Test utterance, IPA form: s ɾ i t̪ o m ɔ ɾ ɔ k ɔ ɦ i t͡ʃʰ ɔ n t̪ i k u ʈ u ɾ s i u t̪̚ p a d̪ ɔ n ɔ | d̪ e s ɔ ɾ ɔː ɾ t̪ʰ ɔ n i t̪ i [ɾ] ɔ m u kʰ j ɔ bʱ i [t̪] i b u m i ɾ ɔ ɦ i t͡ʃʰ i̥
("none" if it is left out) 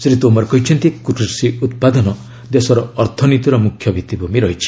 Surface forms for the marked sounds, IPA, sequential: ɾ, t̪

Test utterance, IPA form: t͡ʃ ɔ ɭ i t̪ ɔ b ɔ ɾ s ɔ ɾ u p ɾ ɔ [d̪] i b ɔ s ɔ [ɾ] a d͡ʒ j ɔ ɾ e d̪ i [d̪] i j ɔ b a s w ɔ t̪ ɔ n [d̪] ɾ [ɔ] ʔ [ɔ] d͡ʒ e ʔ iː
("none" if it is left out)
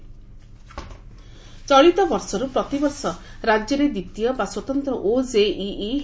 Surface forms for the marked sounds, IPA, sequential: t̪, ɾ, t̪, t̪, ɔ, o

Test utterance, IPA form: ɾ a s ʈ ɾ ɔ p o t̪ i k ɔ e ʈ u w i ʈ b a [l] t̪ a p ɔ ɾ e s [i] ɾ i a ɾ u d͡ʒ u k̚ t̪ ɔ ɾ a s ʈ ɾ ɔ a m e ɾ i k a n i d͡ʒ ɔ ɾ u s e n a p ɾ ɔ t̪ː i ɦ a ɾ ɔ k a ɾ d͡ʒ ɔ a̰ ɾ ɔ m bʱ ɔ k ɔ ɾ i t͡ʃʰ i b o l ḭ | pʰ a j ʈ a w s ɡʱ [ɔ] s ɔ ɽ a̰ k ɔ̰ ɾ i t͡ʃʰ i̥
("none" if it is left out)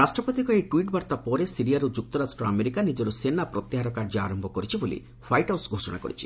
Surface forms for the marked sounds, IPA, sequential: ɾ, i, o

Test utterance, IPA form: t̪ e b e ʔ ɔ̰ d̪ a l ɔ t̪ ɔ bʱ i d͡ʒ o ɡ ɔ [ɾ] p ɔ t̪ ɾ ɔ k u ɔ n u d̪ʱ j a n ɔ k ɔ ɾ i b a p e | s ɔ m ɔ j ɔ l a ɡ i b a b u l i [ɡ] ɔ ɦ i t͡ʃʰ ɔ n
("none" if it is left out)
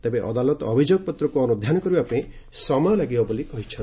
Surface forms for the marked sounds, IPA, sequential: none, k

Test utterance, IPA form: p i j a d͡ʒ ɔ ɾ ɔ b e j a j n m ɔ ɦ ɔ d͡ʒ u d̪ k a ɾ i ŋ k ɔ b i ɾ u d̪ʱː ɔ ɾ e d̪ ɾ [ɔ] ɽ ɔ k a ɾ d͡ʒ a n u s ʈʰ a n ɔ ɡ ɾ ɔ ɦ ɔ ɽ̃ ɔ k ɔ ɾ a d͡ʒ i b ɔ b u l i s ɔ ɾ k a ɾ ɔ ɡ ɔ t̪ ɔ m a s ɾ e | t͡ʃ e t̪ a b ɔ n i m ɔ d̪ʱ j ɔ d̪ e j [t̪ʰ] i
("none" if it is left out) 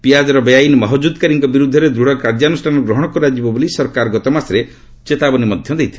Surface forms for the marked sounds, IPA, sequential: u, t̪ʰ

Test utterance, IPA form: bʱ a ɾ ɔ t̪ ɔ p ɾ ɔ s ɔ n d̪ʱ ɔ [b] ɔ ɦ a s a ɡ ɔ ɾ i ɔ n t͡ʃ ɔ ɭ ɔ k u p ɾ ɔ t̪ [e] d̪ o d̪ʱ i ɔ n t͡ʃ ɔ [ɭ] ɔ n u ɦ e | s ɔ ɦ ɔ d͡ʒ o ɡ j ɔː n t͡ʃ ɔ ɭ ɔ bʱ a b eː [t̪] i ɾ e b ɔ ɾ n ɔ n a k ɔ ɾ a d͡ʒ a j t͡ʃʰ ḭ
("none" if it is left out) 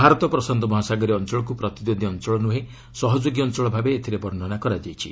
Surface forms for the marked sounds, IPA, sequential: m, i, ɭ, t̪ʰ

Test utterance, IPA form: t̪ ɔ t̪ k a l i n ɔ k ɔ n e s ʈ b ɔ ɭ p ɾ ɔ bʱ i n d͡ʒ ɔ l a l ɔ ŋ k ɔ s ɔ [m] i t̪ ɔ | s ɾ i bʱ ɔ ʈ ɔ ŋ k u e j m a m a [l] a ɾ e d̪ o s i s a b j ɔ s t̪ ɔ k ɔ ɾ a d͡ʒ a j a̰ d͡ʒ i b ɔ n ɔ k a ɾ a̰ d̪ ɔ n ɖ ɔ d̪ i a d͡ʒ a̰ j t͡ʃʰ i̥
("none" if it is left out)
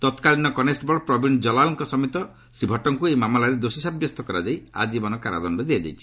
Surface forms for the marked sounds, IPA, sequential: m, l

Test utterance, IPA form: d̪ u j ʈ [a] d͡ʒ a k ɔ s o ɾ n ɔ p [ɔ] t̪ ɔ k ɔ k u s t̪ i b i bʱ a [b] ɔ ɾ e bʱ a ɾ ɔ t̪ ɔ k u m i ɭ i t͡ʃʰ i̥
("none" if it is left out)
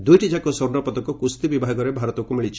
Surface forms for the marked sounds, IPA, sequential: i, ɔ, ɡ

